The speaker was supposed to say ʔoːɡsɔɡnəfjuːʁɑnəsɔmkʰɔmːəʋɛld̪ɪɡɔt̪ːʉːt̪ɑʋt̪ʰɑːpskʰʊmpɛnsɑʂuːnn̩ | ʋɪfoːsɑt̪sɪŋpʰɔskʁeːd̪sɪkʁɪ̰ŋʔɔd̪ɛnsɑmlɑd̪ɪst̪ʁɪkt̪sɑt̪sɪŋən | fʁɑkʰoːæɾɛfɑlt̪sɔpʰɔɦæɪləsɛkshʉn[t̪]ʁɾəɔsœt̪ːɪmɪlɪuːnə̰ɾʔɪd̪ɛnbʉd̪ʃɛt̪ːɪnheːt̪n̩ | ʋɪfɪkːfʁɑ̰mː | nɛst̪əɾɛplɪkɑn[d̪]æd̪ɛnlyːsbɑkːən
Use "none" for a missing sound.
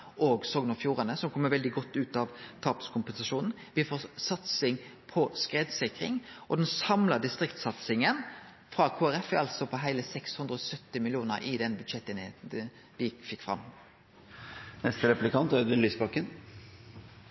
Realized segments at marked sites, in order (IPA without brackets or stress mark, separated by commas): d̪, t̪